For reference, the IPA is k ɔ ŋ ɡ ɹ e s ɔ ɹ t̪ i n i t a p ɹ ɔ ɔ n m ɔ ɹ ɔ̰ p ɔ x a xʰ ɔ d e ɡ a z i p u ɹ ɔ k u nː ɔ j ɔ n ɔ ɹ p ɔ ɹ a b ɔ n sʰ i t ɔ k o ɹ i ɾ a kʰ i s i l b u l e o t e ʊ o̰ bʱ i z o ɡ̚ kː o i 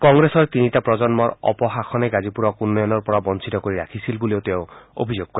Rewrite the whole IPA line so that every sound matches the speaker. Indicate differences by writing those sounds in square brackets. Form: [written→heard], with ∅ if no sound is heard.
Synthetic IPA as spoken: k ɔ ŋ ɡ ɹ e s ɔ ɹ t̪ i n i t a p ɹ ɔ ɔ n m ɔ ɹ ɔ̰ p ɔ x a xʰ ɔ [d→n] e ɡ a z i p u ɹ ɔ k u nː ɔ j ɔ n ɔ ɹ p ɔ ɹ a b ɔ n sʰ i t ɔ k o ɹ i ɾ a kʰ i s i l b u l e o t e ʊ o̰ bʱ i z o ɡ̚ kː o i